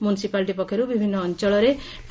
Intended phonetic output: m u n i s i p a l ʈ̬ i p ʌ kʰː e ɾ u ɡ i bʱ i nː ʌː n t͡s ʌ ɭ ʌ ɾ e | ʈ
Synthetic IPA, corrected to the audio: m u n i s i p a l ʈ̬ i p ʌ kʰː e ɾ u b i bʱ i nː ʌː n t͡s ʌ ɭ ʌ ɾ e | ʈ